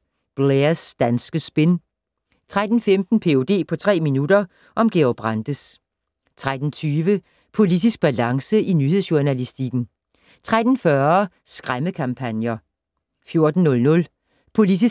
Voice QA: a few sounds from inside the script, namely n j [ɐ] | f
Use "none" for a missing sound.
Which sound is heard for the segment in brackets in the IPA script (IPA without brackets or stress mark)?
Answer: ɐ